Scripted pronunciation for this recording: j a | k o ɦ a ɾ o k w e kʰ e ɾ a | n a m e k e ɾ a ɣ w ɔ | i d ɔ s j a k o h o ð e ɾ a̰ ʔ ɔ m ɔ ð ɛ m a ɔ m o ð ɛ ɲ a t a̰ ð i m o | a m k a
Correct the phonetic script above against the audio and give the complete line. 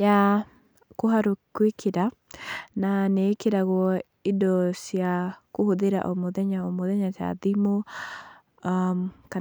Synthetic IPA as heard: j a | k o ɦ a ɾ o k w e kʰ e ɾ a | n a n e k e ɾ a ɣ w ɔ | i d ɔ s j a k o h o ð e ɾ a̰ ʔ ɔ m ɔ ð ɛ ɲ a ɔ m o ð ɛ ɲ a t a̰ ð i m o | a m k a

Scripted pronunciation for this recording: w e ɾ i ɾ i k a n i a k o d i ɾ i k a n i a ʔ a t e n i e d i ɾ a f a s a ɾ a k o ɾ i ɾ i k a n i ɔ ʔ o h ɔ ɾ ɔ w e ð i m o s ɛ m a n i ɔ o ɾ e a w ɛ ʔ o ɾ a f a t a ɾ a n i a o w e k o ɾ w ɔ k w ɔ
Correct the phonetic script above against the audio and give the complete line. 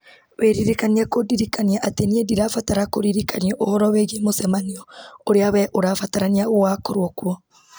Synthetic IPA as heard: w e ɾ i ɾ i k a n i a k o d i ɾ i k a n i a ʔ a t e n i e d i ɾ a f a t a ɾ a k o ɾ i ɾ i k a n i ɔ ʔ o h ɔ ɾ ɔ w e ɣ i m o s ɛ m a n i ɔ o ɾ e a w ɛ ʔ o ɾ a f a t a ɾ a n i a o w a k o ɾ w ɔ k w ɔ

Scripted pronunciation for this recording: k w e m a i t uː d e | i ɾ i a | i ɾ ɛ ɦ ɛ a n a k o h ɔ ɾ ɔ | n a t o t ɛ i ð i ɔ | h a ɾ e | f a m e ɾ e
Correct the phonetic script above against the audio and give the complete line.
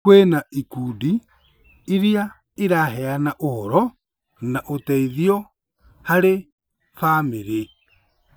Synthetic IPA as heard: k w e n a i k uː d i | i ɾ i a | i ɾ a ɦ ɛ a n a ʔ o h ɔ ɾ ɔ | n a ʔ o t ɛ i ð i ɔ | h a ɾ e | f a m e ɾ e

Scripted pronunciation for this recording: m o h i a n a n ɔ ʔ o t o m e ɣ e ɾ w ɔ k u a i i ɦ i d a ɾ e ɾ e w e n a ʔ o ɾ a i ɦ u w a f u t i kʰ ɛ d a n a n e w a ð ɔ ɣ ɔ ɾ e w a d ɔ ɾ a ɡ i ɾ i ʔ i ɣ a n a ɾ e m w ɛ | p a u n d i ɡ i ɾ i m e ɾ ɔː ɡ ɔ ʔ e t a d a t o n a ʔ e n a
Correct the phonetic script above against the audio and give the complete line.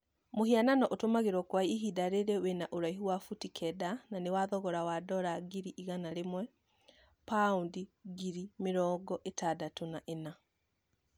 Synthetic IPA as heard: m o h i a n a n ɔ ʔ o t o m a ɣ e ɾ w ɔ k w a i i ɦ i d a ɾ e ɾ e w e n a ʔ o ɾ a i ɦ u w a f u t i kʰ ɛ d a n a n e w a ð ɔ ɣ ɔ ɾ a w a d ɔ ɾ a ɡ i ɾ i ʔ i ɣ a n a ɾ e m w ɛ | p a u n d i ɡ i ɾ i m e ɾ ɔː ɡ ɔ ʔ e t a d a t o n a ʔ e n a

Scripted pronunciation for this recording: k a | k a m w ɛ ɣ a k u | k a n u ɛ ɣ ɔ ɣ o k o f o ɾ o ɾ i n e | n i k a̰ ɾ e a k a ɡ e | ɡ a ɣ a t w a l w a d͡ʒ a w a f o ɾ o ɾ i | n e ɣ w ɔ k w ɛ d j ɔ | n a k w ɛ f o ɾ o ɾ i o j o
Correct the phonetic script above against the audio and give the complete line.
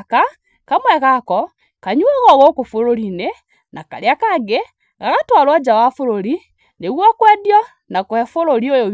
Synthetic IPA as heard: k a | k a m w ɛ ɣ a k ɔ | k a ɲ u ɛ ɣ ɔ ɣ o k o f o ɾ o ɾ i n e | n a k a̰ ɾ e a k a ɡ e | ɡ a ɣ a t w a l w a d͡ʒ a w a f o ɾ o ɾ i | n e ɣ w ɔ k w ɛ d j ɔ | n a k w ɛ f o ɾ o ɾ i o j o

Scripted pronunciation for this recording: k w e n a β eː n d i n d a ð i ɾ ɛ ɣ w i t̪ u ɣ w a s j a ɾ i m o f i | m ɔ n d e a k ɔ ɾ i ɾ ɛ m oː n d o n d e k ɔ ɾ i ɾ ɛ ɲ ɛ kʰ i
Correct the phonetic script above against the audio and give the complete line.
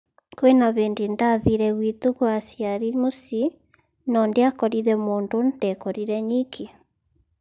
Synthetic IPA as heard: k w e n a β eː n d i n d a ð i ɾ ɛ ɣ w i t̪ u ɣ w a s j a ɾ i m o s i | n ɔ n d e a k ɔ ɾ i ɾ ɛ m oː n d o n d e k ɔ ɾ i ɾ ɛ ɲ i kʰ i

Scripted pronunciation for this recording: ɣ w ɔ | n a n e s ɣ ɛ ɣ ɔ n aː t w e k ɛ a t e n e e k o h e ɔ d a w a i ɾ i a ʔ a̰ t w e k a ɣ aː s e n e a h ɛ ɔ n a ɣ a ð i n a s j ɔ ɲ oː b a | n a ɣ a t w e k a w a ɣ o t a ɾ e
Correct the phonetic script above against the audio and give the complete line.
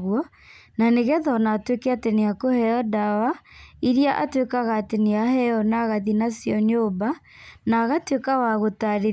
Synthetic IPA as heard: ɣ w ɔ | n a n e ɣ ɛ ð ɔ n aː t w e k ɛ a t e n e a k o h ɛ ɔ d a w a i ɾ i a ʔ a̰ t w e k a ɣ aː t e n e a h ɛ ɔ n a ɣ a ð i n a s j ɔ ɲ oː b a | n a ɣ a t w e k a w a ɣ o t a ɾ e

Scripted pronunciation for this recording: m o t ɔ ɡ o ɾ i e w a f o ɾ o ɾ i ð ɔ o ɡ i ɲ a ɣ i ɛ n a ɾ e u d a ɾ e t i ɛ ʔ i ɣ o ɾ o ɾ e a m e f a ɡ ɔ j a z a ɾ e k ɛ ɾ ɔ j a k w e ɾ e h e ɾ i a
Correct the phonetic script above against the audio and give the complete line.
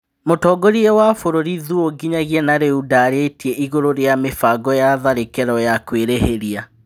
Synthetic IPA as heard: m o t ɔ ɡ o ɾ i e w a f o ɾ o ɾ i ð u o ɡ i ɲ a ɣ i ɛ n a ɾ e u d a ɾ e t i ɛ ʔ i ɣ o ɾ o ɾ e a m e f a ɡ ɔ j a ð a ɾ e k ɛ ɾ ɔ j a k w e ɾ e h e ɾ i a

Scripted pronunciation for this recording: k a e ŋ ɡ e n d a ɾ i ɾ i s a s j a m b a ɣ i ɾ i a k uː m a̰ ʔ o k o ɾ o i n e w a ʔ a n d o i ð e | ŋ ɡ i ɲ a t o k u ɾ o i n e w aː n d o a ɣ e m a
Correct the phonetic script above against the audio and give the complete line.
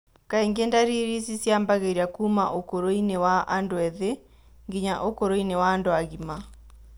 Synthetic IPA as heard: k a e ŋ ɡ e n d a ɾ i ɾ i s i s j a m b a ɣ e ɾ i a k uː m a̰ ʔ o k o ɾ o i n e w a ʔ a n d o ɛ ð e | ŋ ɡ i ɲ a ʔ o k o ɾ o i n e w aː n d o a ɣ i m a

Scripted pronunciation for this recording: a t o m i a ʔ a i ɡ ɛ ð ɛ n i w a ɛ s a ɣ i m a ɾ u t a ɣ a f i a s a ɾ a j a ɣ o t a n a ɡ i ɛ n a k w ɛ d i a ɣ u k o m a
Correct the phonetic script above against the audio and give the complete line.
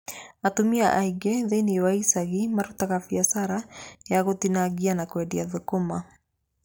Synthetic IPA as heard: a t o m i a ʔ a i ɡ ɛ ð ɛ n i w a i s a ɣ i m a ɾ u t a ɣ a f i a s a ɾ a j a ɣ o t i n a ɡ i a n a k w ɛ d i a ð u k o m a

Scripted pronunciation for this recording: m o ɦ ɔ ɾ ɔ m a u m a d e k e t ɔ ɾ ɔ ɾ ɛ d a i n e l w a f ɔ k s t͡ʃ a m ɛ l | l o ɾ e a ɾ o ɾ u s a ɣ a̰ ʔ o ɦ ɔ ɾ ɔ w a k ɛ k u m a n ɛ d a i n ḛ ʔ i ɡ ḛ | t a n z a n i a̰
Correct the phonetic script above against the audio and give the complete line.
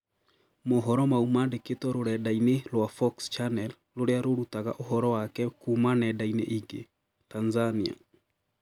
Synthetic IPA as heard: m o ɦ ɔ ɾ ɔ m a u m a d e k e t ɔ ɾ o ɾ ɛ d a i n e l w a f ɔ k s t͡ʃ a n ɛ l | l o ɾ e a ɾ o ɾ u t a ɣ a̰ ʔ o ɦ ɔ ɾ ɔ w a k ɛ k u m a n ɛ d a i n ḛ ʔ i ɡ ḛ | t a n z a n i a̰

